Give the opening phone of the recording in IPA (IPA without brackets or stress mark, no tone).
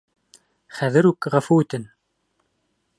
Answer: χ